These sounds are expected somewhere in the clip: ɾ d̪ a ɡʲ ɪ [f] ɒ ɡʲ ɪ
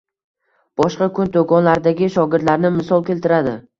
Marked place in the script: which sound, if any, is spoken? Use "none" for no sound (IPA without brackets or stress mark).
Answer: ʃ